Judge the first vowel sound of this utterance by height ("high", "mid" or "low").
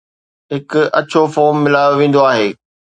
high